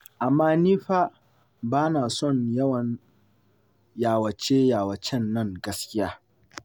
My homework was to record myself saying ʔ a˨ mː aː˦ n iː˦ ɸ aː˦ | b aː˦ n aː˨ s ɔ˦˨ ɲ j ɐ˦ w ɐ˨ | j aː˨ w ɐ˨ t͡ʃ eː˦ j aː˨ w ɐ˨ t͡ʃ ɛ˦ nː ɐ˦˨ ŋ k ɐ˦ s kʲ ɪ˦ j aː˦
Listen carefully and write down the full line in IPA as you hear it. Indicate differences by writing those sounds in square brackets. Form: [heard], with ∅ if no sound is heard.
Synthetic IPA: ʔ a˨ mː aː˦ n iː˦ ɸ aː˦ | b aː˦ n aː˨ s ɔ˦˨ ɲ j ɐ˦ w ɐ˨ | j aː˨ w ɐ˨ t͡ʃ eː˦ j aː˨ w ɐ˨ t͡ʃ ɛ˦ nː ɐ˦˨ ŋ [ɡ] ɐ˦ s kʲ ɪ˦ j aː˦